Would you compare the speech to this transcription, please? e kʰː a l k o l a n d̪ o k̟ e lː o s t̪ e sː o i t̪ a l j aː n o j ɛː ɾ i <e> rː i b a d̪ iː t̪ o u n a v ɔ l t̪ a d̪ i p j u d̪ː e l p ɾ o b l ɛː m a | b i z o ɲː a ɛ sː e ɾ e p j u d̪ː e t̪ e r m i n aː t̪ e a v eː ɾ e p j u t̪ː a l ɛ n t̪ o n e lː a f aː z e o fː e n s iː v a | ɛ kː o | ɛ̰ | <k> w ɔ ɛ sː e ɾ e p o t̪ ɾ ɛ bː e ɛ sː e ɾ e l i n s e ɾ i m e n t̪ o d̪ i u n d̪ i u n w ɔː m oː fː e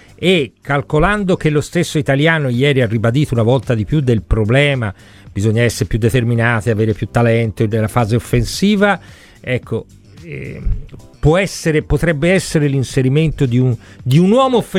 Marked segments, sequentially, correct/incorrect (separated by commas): incorrect, incorrect